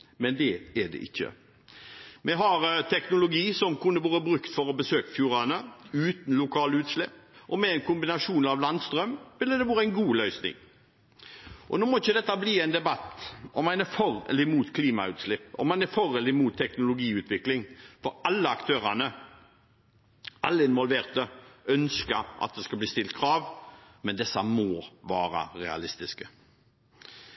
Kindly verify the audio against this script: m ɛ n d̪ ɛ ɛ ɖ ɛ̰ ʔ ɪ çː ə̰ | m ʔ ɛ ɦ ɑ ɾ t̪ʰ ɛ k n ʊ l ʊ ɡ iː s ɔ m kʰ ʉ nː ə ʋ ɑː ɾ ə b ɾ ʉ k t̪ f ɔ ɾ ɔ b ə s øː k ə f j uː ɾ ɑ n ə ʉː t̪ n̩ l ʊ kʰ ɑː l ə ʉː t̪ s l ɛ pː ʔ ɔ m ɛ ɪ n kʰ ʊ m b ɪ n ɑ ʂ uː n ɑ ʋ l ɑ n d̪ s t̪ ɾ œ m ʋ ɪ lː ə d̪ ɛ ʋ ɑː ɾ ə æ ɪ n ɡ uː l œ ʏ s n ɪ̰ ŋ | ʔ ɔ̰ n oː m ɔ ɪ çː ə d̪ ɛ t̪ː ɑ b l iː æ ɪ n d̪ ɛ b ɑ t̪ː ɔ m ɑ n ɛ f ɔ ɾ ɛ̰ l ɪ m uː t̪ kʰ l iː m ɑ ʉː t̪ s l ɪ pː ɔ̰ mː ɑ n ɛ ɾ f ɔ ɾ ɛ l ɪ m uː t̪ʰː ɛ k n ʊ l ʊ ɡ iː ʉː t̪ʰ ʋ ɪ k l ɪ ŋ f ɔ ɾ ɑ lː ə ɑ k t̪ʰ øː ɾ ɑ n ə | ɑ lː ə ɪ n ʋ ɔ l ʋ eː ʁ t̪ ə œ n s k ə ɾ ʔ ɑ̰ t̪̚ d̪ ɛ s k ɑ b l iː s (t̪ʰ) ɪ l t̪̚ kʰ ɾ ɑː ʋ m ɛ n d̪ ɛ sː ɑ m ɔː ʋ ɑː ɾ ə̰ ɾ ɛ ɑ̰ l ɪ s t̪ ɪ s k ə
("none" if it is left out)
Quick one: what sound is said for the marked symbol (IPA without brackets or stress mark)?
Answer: t̪